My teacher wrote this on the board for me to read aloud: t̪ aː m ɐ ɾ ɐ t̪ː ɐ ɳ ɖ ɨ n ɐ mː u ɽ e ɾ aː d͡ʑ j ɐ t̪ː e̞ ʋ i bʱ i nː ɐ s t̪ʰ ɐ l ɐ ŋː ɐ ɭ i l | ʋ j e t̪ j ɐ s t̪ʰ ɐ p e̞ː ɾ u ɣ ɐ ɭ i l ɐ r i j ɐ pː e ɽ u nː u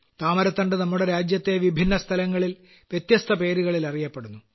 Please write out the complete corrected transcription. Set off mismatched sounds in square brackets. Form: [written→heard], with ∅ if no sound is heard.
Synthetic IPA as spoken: t̪ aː m ɐ ɾ ɐ t̪ː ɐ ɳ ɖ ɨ n ɐ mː u ɽ e ɾ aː d͡ʑ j ɐ t̪ː e̞ ʋ i bʱ i nː ɐ s t̪ʰ ɐ l ɐ ŋː ɐ ɭ i l | ʋ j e t̪ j ɐ s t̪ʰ ɐ p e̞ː ɾ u ɣ ɐ ɭ i l ɐ r i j ɐ pː e ɽ u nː u